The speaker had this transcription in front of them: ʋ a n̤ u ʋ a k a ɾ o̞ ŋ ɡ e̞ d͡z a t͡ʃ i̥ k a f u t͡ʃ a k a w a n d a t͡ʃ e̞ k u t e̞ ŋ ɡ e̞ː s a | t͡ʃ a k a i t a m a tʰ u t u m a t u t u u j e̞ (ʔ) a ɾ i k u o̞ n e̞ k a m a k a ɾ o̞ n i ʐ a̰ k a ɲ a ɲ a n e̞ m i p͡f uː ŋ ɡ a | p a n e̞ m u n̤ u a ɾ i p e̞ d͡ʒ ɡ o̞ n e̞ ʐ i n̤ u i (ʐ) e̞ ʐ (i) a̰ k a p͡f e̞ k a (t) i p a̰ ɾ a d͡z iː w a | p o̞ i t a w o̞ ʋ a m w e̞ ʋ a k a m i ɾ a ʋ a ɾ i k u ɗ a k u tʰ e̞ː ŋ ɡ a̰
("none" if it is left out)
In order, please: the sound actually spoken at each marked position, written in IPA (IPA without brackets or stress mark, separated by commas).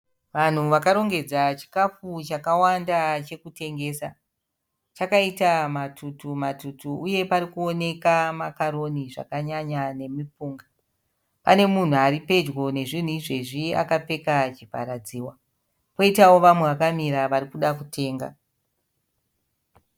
p, ʐ, i, t͡ʃ